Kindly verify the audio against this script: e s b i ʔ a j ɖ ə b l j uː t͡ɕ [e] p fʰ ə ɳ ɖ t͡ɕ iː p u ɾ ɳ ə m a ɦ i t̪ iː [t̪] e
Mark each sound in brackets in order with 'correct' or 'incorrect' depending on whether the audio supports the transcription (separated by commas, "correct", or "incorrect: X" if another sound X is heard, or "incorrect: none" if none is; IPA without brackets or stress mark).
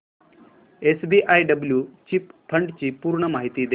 incorrect: i, incorrect: d̪